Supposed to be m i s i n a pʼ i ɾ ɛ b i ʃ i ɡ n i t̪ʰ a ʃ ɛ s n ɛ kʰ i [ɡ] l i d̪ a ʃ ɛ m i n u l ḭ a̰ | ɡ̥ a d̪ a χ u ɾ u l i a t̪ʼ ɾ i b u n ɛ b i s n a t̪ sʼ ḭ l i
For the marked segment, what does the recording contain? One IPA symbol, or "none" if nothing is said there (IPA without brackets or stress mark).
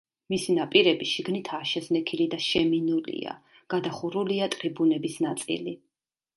none